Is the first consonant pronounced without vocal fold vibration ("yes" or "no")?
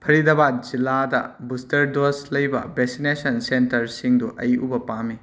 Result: yes